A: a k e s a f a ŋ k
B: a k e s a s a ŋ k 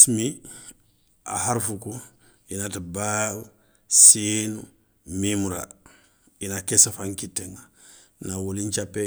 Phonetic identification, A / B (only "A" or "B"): A